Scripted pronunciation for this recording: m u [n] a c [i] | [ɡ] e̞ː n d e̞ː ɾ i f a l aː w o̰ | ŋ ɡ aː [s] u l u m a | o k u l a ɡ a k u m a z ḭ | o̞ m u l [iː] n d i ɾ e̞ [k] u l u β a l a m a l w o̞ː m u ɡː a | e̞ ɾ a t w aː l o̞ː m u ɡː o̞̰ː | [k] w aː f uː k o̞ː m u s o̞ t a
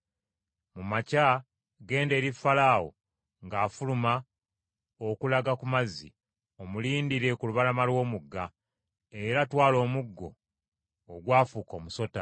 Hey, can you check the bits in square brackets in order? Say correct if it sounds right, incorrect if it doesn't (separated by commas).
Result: incorrect, incorrect, correct, incorrect, correct, correct, incorrect